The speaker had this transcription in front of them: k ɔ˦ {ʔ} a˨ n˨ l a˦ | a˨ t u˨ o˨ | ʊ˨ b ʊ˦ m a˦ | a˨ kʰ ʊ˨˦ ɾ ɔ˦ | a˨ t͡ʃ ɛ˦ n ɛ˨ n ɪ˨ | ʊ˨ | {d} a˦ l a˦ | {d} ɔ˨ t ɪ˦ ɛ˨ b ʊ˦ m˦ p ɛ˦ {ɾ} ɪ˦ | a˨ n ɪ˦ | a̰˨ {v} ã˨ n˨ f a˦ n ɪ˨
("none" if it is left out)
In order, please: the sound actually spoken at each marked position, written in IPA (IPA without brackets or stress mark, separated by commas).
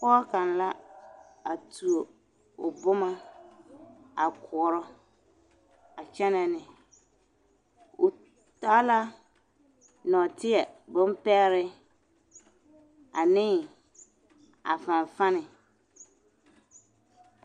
k, t, n, ɾ, f